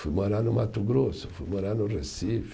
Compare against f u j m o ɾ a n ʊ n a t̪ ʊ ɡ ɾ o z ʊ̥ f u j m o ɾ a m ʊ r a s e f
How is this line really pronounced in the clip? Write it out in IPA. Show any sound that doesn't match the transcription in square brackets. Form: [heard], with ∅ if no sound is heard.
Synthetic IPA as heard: f u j m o ɾ a n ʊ [m] a t̪ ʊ ɡ ɾ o [s] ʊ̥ f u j m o ɾ a [n] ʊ r [e] s [i] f